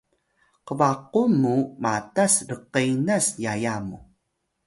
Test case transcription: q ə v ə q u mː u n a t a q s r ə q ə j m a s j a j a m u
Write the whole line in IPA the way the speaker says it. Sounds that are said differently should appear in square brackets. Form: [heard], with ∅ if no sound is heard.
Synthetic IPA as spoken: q ə v [a] q u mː u [m] a t a [∅] s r ə q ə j [n] a s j a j a m u